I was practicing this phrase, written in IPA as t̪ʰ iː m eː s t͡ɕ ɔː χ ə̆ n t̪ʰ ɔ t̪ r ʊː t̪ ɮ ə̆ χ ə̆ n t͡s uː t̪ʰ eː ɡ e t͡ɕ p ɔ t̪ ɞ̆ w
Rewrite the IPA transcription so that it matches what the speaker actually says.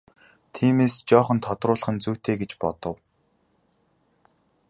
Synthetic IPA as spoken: t̪ʰ iː m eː s t͡ɕ ɔː χ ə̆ n t̪ʰ ɔ t̪ r ʊː ɮ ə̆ χ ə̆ n t͡s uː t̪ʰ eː ɡ e t͡ɕ p ɔ t̪ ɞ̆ w